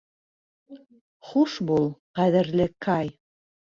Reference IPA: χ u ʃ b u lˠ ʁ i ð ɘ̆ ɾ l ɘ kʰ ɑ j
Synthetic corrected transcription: χ u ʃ b u lˠ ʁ æ ð ɘ̆ ɾ l ɘ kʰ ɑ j